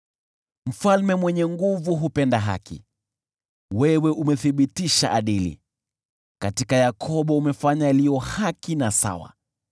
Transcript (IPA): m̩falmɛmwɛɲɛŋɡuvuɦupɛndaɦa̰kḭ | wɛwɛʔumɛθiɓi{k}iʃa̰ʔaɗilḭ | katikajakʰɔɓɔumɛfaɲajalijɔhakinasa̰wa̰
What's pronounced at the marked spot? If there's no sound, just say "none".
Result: t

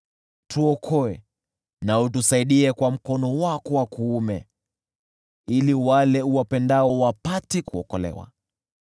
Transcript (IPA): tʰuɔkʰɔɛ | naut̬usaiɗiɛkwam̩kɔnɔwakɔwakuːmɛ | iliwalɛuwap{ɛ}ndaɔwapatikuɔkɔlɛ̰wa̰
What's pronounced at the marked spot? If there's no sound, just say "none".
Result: ɛ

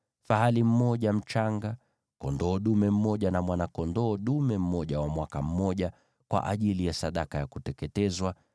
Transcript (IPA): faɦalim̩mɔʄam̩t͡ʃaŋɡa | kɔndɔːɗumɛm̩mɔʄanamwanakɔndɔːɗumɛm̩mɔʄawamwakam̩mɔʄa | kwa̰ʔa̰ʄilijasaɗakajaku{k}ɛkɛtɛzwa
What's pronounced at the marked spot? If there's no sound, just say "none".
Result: t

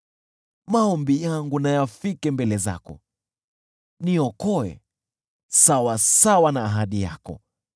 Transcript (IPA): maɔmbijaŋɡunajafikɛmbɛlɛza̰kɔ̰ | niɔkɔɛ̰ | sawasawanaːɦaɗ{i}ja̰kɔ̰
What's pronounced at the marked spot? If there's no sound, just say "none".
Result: i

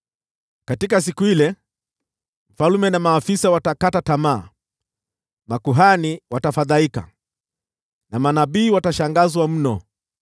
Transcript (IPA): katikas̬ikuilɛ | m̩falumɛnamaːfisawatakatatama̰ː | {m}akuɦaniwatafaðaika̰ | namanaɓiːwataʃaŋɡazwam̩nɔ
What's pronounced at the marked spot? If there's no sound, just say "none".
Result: m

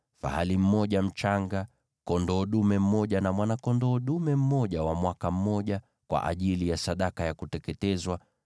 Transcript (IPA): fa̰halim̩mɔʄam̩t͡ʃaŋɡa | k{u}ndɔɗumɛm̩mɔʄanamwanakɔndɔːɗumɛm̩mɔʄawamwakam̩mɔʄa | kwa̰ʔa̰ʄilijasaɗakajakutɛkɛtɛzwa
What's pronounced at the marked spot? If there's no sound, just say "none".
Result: ɔ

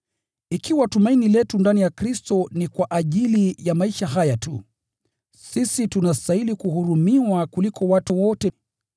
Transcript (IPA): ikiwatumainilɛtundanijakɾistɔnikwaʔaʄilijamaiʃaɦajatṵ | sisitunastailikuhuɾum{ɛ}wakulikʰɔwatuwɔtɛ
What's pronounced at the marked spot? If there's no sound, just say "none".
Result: i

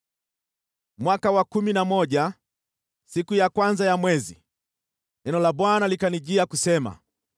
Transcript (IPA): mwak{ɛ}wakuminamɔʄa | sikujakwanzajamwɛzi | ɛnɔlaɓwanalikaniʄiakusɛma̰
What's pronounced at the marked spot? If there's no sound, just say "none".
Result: a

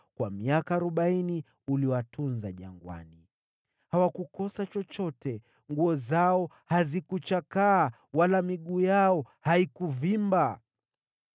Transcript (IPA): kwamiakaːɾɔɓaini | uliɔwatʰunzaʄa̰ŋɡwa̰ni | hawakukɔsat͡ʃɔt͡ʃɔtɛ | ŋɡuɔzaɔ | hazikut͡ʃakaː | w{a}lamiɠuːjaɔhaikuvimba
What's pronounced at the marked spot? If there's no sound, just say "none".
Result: a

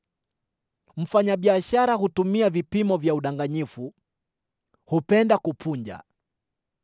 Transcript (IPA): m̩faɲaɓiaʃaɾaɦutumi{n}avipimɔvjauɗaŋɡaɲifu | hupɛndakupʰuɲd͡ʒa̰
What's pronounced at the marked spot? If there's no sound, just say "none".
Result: none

